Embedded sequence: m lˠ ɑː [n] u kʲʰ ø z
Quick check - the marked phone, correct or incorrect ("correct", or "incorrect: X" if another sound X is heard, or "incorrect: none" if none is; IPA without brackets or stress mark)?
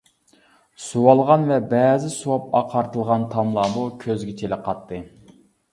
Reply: incorrect: m